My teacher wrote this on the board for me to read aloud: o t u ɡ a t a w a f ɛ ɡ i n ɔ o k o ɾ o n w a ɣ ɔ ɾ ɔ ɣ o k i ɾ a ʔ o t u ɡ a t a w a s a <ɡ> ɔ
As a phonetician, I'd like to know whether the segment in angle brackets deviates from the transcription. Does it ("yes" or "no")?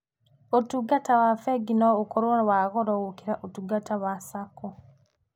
yes